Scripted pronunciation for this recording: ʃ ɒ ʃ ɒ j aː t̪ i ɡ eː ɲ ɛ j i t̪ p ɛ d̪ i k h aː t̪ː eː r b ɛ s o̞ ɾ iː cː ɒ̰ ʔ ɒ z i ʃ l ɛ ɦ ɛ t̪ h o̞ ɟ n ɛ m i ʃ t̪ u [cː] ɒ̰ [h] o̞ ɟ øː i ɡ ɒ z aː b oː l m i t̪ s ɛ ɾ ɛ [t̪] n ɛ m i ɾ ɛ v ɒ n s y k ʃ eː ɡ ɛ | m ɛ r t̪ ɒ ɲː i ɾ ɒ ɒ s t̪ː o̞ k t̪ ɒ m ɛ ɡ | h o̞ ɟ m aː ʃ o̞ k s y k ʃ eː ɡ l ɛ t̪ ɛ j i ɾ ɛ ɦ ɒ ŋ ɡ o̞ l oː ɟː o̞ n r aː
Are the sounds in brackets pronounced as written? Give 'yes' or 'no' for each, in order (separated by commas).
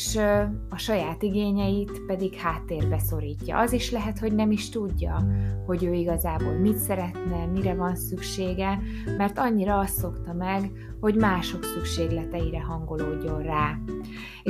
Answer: no, yes, yes